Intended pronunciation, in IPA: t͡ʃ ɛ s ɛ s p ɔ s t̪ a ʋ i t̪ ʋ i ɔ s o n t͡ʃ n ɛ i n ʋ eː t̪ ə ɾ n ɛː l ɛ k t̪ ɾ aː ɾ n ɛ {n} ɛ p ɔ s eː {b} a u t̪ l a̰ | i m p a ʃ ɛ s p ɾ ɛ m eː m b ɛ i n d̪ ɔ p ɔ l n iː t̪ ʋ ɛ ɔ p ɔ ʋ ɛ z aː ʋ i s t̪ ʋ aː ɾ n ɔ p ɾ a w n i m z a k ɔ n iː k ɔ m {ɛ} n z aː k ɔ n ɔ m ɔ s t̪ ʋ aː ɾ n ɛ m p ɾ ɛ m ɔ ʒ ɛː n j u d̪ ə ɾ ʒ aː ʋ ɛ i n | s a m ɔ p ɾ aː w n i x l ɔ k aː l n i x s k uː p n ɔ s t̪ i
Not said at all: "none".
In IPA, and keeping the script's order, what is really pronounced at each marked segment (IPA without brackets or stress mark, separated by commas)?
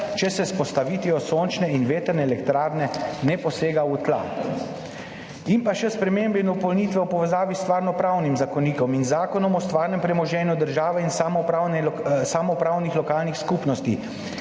n, ɡ, i